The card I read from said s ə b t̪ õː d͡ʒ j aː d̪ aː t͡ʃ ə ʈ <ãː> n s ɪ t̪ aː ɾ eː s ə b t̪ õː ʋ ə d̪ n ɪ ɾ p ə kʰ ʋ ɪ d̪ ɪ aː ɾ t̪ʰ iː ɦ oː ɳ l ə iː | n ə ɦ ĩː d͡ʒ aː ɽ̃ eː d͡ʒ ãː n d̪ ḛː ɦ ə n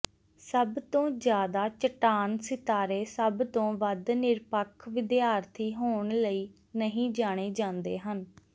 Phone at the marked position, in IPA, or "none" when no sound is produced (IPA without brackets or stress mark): aː